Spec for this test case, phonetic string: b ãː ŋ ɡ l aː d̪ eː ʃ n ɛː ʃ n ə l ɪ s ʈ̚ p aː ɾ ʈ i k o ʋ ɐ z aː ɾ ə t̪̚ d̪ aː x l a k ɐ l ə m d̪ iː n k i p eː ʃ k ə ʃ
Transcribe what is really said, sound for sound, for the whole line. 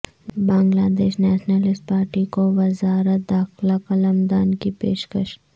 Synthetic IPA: b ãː ŋ ɡ l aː d̪ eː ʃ n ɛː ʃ n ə l ɪ s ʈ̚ p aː ɾ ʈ i k o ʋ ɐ z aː ɾ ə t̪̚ d̪ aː x l a k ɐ l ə m d̪ aː n k i p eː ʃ k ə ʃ